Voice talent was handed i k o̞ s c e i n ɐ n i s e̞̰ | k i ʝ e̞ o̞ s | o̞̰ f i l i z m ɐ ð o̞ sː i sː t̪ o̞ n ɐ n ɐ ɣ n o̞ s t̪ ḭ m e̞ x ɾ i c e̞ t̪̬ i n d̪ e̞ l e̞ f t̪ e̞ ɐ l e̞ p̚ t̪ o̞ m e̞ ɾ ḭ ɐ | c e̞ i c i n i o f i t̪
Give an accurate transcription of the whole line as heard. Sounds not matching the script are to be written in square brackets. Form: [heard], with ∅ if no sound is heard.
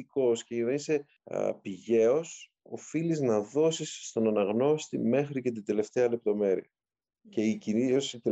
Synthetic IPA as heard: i k o̞ s c e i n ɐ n i s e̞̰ | [p] i ʝ e̞ o̞ s | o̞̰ f i l i z [n] ɐ ð o̞ [s] i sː t̪ o̞ n ɐ n ɐ ɣ n o̞ s t̪ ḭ m e̞ x ɾ i c e̞ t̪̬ i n d̪ e̞ l e̞ f t̪ e̞ ɐ l e̞ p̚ t̪ o̞ m e̞ ɾ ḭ ɐ | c e̞ i c i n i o [s] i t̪